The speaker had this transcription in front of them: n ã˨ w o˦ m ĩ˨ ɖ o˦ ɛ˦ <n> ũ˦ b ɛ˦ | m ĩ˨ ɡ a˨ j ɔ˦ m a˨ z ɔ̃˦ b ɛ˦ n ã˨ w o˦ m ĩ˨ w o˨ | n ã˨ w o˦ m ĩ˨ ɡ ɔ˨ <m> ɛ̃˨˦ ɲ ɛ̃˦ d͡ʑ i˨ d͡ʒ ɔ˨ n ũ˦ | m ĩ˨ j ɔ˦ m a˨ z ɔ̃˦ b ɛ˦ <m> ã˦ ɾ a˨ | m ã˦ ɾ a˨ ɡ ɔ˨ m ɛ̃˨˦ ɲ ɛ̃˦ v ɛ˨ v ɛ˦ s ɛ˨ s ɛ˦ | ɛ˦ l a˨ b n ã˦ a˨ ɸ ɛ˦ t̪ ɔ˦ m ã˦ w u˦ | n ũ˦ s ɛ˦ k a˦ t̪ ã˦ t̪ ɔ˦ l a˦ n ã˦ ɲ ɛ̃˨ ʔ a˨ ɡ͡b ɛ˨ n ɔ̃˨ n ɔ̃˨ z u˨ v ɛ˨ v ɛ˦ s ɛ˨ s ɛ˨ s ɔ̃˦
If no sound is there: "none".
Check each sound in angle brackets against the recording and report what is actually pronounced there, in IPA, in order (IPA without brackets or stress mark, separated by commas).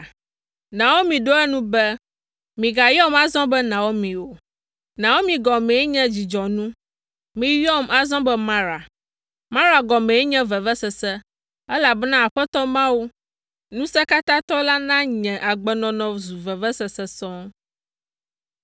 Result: n, m, m